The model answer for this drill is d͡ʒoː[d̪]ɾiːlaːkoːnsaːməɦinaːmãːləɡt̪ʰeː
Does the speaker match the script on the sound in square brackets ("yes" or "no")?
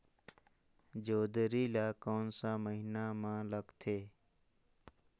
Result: yes